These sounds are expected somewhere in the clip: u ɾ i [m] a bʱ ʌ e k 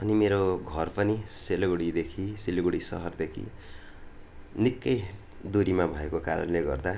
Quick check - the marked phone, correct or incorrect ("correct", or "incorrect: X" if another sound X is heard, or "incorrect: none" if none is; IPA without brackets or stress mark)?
correct